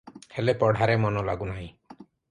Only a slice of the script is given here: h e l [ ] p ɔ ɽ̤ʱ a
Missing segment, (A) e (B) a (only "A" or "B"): A